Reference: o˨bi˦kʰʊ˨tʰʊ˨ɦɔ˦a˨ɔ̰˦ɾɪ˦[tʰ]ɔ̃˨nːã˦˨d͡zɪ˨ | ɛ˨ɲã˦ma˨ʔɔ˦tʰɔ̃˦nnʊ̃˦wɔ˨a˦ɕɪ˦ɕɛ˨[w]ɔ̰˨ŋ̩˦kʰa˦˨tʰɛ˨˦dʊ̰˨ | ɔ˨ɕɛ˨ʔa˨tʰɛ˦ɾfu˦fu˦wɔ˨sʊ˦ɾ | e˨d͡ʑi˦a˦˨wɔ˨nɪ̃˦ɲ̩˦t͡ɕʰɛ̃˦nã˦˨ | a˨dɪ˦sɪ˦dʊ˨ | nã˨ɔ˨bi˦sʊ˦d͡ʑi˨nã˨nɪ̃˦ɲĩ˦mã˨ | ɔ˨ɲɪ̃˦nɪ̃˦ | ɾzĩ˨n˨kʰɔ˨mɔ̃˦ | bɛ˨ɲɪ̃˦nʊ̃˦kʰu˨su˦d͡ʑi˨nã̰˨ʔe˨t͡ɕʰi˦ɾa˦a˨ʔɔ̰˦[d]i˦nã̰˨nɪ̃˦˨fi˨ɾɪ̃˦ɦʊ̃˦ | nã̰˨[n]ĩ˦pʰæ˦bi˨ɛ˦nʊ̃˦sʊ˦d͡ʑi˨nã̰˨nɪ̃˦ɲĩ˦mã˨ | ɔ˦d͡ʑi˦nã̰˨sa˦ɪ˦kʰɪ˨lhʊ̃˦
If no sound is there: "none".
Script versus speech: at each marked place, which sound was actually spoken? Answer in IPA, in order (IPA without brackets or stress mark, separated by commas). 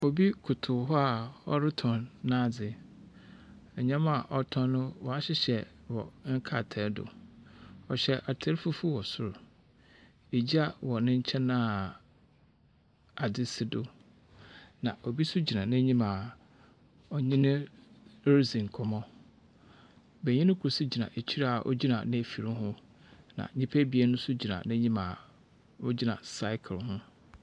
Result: tʰ, w, d͡ʑ, ɲ